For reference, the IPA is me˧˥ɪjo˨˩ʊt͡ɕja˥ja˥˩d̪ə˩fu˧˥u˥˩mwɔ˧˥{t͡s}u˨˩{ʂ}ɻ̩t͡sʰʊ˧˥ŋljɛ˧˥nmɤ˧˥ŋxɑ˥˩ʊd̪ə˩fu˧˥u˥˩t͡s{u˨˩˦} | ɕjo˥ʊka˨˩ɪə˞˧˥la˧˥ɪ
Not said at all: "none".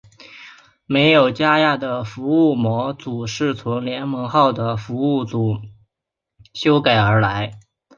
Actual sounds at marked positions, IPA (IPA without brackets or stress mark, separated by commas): t͡s, ʂ, u˨˩˦